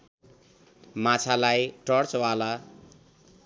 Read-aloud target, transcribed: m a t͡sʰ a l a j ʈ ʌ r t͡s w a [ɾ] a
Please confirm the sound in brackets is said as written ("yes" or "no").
no